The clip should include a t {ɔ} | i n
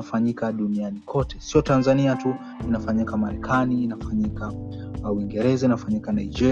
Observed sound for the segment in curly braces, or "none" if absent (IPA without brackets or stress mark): u